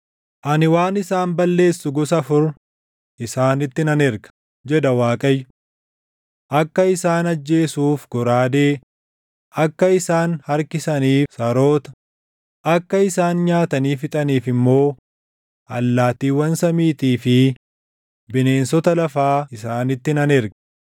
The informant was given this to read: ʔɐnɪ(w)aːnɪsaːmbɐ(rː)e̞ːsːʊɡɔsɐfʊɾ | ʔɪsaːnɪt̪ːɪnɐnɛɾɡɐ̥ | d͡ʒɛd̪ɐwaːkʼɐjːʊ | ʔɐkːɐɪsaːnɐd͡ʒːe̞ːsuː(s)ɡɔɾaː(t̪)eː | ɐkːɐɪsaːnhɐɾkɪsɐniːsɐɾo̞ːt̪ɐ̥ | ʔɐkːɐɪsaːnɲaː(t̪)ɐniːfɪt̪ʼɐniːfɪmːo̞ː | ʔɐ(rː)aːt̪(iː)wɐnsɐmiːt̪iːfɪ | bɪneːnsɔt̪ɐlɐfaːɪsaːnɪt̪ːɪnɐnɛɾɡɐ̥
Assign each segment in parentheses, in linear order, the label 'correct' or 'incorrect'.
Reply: correct, incorrect, incorrect, incorrect, correct, incorrect, correct

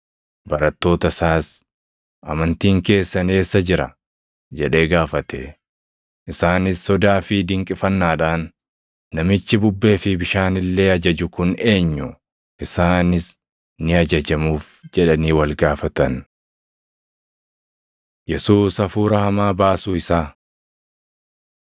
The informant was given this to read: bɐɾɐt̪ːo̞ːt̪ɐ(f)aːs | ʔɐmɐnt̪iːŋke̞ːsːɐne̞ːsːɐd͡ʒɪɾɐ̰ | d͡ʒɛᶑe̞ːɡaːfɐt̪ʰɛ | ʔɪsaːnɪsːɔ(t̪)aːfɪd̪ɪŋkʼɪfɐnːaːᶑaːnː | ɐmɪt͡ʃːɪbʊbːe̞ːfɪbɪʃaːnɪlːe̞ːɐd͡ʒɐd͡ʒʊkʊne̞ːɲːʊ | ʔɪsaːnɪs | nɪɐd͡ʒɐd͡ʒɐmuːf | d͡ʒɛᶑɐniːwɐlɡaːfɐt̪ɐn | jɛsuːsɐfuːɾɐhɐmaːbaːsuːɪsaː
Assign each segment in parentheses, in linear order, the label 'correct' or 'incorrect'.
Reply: incorrect, incorrect

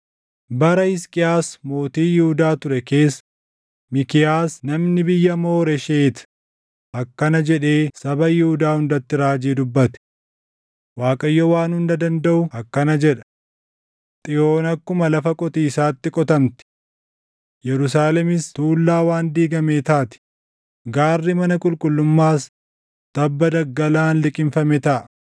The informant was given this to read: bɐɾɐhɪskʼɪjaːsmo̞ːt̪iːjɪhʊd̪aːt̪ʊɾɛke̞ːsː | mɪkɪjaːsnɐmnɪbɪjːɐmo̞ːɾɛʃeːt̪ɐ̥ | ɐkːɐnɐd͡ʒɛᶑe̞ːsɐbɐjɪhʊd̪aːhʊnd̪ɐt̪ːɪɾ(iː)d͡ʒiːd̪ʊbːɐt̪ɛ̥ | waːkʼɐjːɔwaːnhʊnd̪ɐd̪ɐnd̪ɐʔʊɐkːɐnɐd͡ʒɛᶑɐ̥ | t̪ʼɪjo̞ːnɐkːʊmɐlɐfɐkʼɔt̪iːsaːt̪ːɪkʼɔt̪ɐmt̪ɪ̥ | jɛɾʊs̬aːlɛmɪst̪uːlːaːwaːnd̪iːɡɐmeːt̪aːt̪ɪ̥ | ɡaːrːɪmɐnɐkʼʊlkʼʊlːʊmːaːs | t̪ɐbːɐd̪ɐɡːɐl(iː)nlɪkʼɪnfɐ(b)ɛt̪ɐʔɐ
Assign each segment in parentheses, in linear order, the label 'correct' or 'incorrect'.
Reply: incorrect, incorrect, incorrect

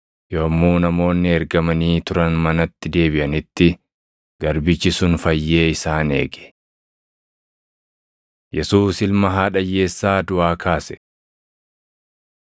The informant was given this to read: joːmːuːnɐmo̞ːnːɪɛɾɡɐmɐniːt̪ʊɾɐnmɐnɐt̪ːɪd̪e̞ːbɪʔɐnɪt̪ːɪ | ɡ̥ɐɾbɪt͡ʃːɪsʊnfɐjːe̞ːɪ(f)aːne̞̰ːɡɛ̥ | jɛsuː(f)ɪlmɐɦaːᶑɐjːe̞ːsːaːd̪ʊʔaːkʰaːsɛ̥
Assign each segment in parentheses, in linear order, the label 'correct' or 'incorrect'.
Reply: incorrect, incorrect

